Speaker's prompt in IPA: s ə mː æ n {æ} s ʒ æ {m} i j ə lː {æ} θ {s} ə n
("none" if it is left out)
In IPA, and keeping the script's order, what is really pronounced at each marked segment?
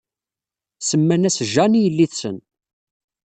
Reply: æ, n, i, s

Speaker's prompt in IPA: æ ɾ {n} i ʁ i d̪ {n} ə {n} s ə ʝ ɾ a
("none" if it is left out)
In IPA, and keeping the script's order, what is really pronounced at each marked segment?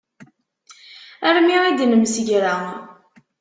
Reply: m, n, m

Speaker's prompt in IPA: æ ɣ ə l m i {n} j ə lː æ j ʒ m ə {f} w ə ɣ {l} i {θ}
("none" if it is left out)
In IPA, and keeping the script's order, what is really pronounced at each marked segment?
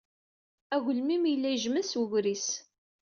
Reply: m, s, ɾ, s

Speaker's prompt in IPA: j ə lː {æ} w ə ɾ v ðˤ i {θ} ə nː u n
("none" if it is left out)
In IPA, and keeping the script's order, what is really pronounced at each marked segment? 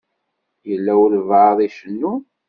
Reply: æ, ʃ

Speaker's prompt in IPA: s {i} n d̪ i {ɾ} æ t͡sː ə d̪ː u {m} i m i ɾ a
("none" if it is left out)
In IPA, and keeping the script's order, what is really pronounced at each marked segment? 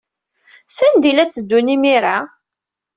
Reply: æ, l, n

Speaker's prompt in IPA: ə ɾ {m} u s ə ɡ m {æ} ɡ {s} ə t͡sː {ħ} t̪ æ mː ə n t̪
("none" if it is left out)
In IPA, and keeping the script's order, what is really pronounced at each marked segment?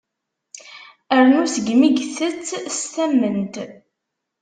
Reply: n, i, θ, s

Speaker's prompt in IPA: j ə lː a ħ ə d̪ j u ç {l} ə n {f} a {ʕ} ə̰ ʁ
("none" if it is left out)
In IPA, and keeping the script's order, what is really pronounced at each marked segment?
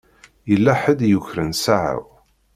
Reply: ɾ, s, ʕ

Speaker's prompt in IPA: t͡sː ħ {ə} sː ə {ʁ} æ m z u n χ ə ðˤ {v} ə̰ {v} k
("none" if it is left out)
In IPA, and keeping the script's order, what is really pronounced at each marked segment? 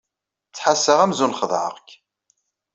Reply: a, ʁ, ʕ, ʁ

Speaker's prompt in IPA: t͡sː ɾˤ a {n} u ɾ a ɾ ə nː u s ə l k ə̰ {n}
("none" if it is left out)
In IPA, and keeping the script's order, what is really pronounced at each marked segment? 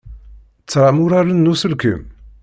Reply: m, m

